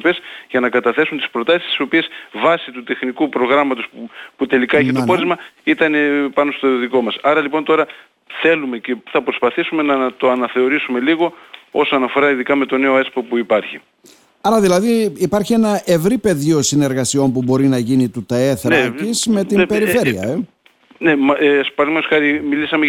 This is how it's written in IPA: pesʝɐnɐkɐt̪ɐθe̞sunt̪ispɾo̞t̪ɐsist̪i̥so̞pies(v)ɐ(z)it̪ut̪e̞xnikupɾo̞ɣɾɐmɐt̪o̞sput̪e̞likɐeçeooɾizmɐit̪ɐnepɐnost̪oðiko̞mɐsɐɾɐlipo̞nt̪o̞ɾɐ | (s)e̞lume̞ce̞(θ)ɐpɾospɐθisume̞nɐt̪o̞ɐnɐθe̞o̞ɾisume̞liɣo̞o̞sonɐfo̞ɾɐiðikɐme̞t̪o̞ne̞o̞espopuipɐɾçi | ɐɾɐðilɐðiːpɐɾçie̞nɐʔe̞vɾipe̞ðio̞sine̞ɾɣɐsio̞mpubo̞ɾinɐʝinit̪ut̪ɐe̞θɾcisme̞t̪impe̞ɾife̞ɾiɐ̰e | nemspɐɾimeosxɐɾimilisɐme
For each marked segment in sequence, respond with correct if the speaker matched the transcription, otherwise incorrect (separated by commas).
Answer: correct, incorrect, incorrect, correct